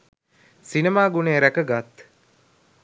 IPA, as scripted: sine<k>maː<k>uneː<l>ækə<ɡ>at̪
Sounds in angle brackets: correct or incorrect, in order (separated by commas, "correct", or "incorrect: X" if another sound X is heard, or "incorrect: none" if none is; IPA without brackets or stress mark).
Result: incorrect: none, incorrect: ɡ, incorrect: ɾ, correct